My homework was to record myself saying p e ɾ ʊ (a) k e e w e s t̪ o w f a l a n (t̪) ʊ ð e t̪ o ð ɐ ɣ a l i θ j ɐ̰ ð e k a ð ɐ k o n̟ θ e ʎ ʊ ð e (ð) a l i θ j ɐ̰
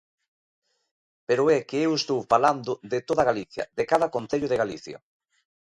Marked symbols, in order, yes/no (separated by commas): no, no, no